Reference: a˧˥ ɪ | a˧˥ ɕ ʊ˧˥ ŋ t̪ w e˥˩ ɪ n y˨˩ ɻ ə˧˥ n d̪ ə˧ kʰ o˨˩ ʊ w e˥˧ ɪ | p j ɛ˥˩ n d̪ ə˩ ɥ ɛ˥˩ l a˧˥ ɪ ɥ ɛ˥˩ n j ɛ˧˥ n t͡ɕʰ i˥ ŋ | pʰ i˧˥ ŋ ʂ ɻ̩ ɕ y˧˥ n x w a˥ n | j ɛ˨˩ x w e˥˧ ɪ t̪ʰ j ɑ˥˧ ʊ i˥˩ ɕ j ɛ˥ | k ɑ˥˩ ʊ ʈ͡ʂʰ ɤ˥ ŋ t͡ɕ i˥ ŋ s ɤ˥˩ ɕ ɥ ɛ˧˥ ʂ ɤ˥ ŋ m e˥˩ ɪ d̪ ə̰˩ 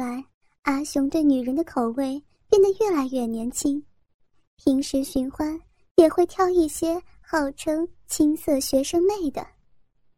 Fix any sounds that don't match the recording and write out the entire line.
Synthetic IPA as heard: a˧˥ ɪ | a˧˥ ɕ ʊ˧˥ ŋ t̪ w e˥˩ ɪ n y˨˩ ɻ ə˧˥ n d̪ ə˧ kʰ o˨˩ ʊ w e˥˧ ɪ | p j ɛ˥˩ n d̪ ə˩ ɥ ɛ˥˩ l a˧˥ ɪ ɥ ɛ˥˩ n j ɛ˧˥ n t͡ɕʰ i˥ ŋ | pʰ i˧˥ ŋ ʂ ɻ̩ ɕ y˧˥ n x w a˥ n | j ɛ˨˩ x w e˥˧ ɪ t̪ʰ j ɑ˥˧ ʊ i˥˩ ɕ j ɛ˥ | x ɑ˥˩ ʊ ʈ͡ʂʰ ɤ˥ ŋ t͡ɕʰ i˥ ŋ s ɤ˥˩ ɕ ɥ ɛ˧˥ ʂ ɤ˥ ŋ m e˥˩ ɪ d̪ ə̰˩